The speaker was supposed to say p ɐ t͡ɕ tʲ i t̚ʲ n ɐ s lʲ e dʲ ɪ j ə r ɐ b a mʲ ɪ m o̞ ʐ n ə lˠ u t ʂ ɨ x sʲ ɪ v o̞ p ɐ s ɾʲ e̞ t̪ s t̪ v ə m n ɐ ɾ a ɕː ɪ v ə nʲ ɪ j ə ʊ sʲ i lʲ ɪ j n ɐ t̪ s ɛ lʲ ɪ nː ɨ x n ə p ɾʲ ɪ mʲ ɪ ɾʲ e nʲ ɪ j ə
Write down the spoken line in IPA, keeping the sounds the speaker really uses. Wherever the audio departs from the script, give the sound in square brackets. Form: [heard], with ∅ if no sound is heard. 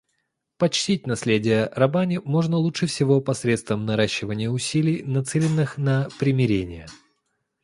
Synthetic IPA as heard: p ɐ t͡ɕ tʲ i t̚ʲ n ɐ s lʲ e dʲ ɪ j ə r ɐ b a [nʲ] ɪ m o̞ ʐ n ə lˠ u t ʂ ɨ [f] sʲ ɪ v o̞ p ɐ s ɾʲ e̞ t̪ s t̪ v ə m n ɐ ɾ a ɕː ɪ v ə nʲ ɪ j ə ʊ sʲ i lʲ ɪ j n ɐ t̪ s ɛ lʲ ɪ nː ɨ x n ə p ɾʲ ɪ mʲ ɪ ɾʲ e nʲ ɪ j ə